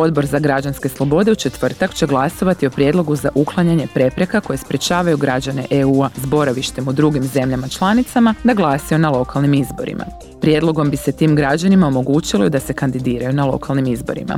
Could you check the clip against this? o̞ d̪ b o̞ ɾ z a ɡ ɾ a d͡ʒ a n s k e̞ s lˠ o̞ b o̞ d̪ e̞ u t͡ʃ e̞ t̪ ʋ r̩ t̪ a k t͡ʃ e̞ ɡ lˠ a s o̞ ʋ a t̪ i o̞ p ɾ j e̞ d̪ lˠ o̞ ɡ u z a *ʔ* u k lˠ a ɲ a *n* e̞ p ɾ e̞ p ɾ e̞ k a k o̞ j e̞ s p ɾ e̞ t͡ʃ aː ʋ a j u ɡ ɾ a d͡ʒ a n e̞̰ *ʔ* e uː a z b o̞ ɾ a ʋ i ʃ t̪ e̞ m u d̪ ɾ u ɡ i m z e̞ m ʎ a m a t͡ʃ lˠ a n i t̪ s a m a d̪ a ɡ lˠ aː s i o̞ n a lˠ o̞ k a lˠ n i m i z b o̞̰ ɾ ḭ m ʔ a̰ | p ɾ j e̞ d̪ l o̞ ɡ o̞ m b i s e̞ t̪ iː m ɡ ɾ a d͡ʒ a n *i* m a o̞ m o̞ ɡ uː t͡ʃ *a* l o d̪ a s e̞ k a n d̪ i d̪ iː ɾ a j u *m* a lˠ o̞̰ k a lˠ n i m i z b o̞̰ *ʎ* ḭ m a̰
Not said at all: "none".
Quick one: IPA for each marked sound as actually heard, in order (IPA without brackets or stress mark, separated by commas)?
ʔ, ɲ, ʔ, i, i, n, ɾ